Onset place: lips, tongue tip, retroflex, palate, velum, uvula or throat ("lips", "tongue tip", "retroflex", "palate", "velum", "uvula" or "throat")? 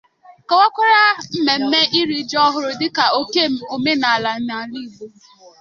velum